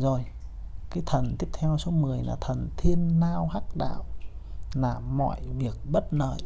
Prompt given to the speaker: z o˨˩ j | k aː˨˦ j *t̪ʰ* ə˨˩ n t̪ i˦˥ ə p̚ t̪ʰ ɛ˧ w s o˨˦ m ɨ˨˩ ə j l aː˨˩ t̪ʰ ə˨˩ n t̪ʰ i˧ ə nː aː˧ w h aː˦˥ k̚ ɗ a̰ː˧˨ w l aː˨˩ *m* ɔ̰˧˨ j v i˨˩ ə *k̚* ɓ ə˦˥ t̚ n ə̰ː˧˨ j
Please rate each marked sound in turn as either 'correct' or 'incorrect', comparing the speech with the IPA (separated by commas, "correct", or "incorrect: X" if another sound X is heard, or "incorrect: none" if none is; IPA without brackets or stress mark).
correct, correct, correct